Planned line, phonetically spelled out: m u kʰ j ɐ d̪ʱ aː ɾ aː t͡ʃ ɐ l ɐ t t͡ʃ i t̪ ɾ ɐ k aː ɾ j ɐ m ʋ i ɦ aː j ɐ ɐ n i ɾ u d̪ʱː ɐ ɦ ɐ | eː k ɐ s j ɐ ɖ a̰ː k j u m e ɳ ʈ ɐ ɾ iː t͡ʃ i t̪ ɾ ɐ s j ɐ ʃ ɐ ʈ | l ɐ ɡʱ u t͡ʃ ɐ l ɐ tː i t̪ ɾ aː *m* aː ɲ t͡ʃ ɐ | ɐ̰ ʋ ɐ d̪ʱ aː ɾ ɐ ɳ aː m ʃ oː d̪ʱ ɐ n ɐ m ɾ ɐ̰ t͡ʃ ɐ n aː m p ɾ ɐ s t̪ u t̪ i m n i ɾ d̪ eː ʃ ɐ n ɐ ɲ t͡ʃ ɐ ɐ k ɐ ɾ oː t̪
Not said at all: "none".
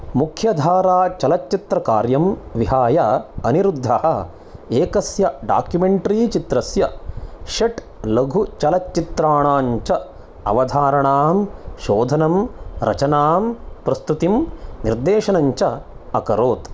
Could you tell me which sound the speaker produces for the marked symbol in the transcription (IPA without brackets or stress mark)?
ɳ